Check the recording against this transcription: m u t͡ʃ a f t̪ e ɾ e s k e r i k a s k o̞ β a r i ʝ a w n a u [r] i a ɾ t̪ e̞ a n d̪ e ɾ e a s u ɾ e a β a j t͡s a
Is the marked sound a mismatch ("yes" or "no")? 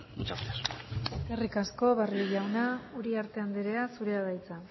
yes